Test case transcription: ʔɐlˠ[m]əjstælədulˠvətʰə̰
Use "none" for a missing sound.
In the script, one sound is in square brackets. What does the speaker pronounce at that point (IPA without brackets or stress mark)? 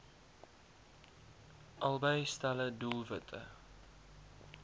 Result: b